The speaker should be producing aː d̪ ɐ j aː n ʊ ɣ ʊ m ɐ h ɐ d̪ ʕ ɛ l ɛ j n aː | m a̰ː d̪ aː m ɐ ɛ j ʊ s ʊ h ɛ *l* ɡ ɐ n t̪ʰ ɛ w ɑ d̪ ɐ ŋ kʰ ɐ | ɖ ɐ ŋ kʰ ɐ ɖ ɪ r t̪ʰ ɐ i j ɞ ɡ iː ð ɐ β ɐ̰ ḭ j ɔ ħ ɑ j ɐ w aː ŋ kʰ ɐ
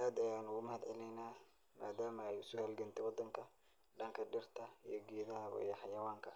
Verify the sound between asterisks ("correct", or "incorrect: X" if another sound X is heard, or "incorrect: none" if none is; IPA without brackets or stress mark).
correct